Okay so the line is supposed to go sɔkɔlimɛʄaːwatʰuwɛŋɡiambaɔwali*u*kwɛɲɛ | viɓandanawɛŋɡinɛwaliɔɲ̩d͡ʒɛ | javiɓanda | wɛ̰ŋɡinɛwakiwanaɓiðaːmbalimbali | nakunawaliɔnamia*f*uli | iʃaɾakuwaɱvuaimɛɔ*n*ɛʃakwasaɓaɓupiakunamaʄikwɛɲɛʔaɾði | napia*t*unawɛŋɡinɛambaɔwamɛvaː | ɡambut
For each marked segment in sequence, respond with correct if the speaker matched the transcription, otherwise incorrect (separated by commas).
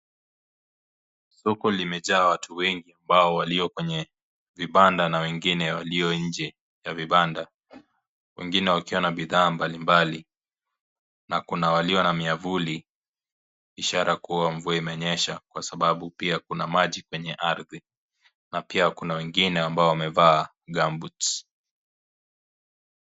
incorrect, incorrect, incorrect, incorrect